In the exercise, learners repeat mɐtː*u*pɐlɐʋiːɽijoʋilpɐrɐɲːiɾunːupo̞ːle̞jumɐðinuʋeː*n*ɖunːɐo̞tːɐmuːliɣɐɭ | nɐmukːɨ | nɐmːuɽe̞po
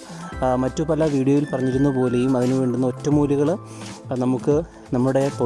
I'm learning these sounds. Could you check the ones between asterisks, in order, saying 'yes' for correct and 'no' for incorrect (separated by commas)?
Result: yes, no